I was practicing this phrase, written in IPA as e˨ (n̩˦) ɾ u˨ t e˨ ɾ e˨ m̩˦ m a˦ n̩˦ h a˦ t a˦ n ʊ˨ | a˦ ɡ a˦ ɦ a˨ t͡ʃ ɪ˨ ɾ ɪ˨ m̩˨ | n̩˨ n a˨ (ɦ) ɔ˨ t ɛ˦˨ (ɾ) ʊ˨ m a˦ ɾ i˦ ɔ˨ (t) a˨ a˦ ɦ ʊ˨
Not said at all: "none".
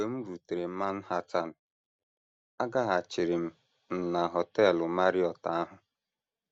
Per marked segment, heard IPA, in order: m̩˦, ɦ, l, t

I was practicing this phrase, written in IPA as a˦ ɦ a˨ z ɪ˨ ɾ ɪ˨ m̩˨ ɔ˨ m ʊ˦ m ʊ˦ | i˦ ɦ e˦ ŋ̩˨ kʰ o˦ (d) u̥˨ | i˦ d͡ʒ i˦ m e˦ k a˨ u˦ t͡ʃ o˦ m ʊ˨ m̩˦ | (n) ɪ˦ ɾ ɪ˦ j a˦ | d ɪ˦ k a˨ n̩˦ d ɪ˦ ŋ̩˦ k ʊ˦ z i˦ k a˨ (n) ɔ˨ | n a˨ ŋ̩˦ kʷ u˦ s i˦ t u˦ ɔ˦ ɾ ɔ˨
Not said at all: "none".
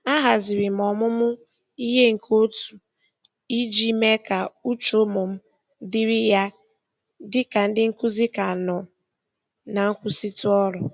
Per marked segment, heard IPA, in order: t, d, n

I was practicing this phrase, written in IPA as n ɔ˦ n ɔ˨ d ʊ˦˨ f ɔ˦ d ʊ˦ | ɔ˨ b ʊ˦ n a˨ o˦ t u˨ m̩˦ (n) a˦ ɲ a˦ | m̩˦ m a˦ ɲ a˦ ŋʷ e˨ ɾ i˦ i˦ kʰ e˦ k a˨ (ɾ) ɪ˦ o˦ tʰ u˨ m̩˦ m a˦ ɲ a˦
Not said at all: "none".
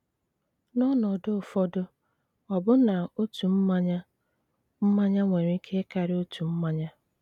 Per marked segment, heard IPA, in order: m, ɾ

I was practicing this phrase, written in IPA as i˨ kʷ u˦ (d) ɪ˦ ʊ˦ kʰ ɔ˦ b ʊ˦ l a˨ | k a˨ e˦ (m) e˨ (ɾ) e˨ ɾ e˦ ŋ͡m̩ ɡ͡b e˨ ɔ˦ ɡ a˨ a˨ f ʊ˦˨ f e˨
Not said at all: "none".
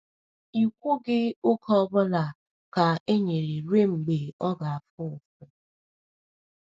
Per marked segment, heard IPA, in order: ɡ, ɲ, ɾ

